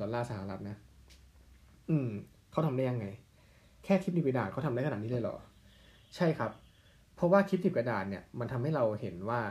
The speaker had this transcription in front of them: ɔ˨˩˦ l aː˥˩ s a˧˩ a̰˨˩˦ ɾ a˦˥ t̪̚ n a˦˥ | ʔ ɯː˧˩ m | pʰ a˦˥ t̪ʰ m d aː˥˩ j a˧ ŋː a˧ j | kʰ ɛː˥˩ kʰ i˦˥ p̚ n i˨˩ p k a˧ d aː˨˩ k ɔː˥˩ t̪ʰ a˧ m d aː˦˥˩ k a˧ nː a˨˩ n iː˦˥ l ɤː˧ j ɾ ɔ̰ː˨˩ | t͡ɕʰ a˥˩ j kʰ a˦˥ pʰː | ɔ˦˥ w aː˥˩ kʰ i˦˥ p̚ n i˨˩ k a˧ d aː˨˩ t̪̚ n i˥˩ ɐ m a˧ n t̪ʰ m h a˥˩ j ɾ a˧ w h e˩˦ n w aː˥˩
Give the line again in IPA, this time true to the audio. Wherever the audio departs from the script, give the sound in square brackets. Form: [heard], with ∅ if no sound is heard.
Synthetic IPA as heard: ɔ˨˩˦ l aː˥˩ s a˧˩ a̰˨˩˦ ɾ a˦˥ t̪̚ n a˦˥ | ʔ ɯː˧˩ m | [kʰ] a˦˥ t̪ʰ m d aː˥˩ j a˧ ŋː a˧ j | kʰ ɛː˥˩ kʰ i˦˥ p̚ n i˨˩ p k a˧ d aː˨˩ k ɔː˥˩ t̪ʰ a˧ m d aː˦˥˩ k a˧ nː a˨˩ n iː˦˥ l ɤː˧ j [l] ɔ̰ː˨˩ | t͡ɕʰ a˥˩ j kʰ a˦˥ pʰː | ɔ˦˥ w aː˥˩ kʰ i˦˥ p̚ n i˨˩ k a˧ d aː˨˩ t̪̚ n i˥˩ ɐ m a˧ n t̪ʰ m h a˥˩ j ɾ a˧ w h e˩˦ n w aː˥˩